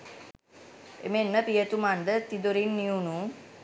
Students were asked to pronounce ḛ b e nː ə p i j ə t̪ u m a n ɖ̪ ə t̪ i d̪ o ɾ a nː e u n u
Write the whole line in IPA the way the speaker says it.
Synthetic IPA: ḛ m e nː ə p i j ə t̪ u m a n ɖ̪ ə t̪ i d̪ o ɾ i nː i u n u